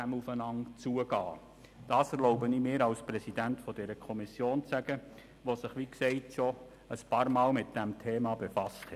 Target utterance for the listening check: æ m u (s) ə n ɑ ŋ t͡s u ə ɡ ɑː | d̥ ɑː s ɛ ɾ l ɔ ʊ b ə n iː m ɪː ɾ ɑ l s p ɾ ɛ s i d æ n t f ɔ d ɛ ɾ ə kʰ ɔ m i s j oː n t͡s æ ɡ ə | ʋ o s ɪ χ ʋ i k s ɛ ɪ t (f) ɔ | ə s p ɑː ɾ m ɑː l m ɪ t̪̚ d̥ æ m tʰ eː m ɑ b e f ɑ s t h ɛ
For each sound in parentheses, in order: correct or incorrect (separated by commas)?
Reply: incorrect, incorrect